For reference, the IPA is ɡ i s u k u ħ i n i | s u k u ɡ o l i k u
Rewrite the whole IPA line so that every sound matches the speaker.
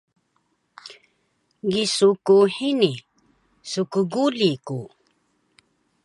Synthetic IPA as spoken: ɡ i s u k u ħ i n i | s u k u ɡ u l i k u